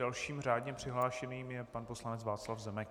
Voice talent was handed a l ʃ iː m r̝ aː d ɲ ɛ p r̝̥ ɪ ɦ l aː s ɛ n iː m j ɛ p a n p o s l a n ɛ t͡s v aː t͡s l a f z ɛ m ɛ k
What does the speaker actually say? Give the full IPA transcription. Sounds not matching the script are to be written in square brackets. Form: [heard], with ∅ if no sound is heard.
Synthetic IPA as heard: a l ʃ iː m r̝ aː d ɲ ɛ p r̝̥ ɪ ɦ l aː [ʃ] ɛ n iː m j ɛ p a n p o s l a n ɛ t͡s v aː t͡s l a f z ɛ m ɛ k